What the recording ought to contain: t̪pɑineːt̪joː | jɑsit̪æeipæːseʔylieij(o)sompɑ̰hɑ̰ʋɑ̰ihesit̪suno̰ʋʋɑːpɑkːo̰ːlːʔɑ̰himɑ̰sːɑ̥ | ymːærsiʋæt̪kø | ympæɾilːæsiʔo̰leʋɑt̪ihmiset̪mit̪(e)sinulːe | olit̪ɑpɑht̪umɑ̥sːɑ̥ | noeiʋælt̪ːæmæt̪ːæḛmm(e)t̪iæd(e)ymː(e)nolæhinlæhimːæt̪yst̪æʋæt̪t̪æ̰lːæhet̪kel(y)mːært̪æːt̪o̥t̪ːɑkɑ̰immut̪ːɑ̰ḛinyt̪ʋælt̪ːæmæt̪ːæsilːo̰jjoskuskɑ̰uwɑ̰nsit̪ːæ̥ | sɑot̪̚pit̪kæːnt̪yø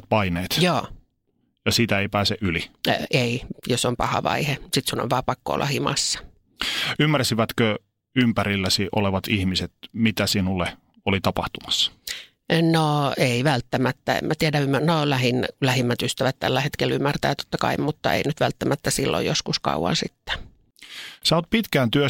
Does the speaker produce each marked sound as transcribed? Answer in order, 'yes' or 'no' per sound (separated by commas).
yes, no, no, no, no, yes